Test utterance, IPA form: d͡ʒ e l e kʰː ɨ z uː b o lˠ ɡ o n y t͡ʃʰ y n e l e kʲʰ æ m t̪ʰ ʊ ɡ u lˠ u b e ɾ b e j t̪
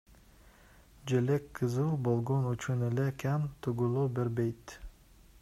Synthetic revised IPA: d͡ʒ e l e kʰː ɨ z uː b o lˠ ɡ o n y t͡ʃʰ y n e l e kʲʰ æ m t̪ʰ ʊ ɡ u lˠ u b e ɾ b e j t̪